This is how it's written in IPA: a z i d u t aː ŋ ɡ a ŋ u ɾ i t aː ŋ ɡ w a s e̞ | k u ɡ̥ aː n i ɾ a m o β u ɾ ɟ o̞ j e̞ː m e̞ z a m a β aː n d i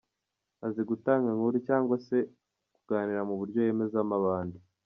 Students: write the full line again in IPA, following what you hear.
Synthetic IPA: a z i ɡ u t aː ŋ ɡ a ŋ u ɾ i c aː ŋ ɡ w a s e̞ | k u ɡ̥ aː n i ɾ a m u β u ɾ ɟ o̞ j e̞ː m e̞ z a m a β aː n d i